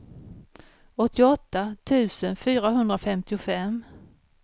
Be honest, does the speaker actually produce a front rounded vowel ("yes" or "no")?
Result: yes